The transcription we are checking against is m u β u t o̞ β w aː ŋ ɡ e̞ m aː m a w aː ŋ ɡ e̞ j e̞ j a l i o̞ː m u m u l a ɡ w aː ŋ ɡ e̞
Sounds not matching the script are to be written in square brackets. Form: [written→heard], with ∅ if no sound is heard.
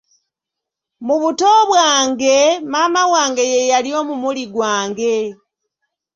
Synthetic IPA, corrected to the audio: m u β u t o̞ β w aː ŋ ɡ e̞ m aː m a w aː ŋ ɡ e̞ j e̞ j a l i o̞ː m u m u l [a→i] ɡ w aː ŋ ɡ e̞